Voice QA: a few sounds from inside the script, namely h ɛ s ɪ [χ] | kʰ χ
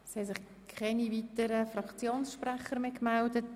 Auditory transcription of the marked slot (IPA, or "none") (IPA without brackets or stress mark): χ